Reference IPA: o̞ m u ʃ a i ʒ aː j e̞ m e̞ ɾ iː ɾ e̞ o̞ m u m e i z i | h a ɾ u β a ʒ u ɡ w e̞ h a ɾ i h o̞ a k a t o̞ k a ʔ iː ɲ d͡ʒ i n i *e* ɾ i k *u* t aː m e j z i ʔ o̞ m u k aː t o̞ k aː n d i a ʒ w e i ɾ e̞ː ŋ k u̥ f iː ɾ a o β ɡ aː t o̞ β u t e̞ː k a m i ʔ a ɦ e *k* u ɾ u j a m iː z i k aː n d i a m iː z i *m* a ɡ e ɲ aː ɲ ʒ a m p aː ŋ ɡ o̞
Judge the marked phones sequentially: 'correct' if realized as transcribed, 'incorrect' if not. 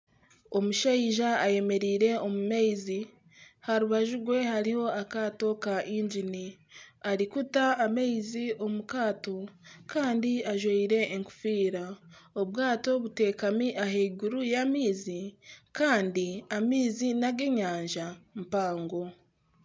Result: incorrect, correct, incorrect, incorrect

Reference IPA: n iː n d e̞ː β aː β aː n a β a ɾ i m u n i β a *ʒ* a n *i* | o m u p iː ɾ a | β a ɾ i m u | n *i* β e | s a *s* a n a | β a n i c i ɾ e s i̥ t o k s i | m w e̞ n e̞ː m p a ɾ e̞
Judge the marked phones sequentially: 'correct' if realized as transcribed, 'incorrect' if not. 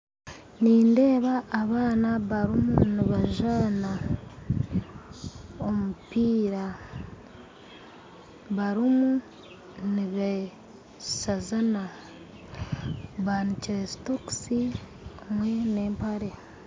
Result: correct, incorrect, correct, incorrect

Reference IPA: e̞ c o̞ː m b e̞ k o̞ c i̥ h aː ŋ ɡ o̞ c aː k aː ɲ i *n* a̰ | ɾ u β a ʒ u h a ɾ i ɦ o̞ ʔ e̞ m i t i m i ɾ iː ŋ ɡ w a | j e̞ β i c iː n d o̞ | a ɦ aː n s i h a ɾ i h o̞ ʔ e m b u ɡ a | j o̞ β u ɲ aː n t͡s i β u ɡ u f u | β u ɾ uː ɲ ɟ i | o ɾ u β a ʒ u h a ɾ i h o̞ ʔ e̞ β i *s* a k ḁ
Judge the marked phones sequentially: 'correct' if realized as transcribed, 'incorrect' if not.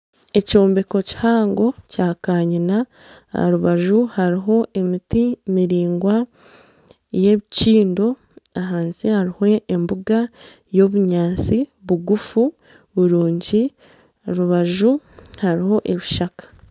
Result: correct, incorrect

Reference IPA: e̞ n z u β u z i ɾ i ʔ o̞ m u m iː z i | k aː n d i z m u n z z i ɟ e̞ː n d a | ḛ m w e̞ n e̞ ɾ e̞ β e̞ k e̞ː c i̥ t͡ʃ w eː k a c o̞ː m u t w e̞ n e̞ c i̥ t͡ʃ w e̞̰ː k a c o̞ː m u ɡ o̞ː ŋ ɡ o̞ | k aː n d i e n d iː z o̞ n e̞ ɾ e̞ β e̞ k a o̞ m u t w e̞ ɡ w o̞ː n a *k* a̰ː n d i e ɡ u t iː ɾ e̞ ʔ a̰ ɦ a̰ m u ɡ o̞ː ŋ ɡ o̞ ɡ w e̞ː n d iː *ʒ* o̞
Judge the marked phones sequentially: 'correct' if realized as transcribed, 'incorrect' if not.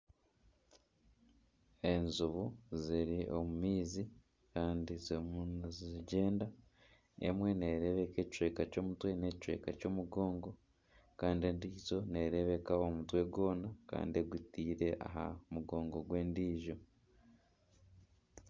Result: correct, correct

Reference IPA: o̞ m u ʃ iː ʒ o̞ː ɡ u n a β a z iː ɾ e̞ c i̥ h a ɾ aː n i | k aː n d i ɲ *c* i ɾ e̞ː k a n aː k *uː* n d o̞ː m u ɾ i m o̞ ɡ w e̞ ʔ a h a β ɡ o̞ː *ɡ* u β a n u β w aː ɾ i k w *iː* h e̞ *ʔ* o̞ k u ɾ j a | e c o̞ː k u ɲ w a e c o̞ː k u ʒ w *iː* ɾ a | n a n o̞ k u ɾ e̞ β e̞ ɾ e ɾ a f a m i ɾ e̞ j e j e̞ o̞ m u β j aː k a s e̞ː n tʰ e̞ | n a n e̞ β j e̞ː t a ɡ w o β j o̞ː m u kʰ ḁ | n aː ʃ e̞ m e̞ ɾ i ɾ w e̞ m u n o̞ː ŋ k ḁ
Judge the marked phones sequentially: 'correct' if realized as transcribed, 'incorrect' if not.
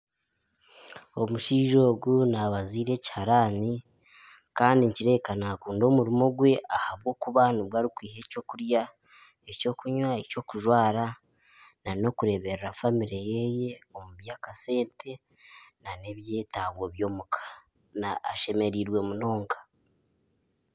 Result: correct, correct, incorrect, correct, incorrect, incorrect

